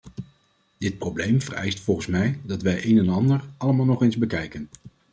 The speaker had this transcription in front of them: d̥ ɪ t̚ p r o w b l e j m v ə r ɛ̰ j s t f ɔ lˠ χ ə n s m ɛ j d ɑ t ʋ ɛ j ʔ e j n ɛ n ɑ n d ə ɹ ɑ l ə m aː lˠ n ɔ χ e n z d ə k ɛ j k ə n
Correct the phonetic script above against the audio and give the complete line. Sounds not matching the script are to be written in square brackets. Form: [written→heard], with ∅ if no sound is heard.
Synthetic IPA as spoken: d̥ ɪ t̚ p r o w b l e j m v ə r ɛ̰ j s t f ɔ lˠ χ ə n s m ɛ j d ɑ t ʋ ɛ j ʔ e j n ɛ n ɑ n d ə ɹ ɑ l ə m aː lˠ n ɔ χ e n z [d→b] ə k ɛ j k ə n